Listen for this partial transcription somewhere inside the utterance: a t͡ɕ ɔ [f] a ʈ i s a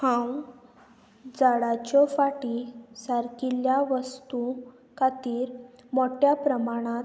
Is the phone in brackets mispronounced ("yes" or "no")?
no